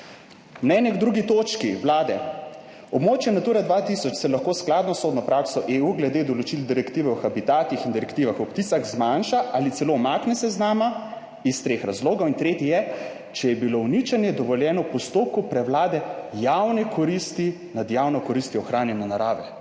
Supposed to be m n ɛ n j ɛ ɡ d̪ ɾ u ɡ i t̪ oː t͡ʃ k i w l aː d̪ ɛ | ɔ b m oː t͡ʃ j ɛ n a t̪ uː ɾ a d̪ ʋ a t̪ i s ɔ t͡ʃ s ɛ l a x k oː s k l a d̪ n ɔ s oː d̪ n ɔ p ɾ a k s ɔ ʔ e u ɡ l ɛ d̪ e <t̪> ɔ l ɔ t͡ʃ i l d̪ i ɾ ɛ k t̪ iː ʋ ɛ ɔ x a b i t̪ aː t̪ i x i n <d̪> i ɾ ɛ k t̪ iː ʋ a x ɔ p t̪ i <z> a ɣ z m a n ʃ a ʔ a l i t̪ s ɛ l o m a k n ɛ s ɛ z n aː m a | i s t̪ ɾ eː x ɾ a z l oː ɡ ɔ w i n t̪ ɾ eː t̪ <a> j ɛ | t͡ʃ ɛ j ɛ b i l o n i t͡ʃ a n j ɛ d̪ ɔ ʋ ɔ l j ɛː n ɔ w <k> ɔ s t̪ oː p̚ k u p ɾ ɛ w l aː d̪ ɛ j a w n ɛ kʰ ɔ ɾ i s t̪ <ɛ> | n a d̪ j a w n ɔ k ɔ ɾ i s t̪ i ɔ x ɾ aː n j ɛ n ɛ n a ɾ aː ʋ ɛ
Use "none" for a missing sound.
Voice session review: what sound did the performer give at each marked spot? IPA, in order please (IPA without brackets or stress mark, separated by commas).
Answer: d̪, d̪, s, i, p, i